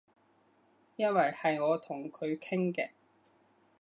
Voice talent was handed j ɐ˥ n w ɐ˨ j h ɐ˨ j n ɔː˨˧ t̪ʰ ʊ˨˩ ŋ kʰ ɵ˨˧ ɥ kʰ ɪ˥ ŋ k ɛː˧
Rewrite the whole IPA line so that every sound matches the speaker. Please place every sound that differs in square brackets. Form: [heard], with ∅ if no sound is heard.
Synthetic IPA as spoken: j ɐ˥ n w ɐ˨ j h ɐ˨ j [ŋ] ɔː˨˧ t̪ʰ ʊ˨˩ ŋ kʰ ɵ˨˧ ɥ kʰ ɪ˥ ŋ k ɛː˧